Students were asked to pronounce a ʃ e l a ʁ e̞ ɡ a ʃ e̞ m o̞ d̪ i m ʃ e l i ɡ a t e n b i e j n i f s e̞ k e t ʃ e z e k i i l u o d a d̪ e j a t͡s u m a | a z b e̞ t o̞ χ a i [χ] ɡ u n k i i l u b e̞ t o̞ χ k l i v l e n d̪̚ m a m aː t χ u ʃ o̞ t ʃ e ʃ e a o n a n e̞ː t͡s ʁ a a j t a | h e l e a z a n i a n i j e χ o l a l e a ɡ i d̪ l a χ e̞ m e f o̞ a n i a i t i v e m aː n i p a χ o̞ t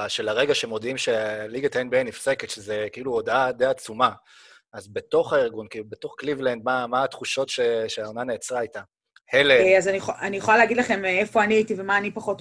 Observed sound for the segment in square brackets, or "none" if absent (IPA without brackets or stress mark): ʁ